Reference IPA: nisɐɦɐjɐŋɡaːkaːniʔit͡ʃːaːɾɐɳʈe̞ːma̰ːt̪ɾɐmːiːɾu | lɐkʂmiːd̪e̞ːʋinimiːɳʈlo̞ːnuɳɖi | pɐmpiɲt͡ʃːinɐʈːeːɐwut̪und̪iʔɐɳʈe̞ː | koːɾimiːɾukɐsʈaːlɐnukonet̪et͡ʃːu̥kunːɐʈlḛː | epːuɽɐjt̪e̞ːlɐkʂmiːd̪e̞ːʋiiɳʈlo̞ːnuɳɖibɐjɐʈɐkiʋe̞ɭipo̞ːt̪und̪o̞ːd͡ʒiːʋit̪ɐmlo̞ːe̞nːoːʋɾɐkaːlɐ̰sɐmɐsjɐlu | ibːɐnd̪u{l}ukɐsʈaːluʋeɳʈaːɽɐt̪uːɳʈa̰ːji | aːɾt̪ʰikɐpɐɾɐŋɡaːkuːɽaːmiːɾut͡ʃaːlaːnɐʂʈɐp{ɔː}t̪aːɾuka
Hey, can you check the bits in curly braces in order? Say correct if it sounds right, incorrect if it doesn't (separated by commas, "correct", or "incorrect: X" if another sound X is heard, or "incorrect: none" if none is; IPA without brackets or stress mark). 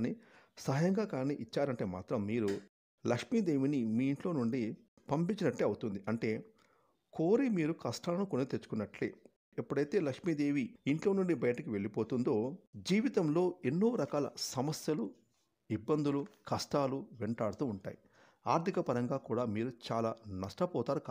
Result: correct, correct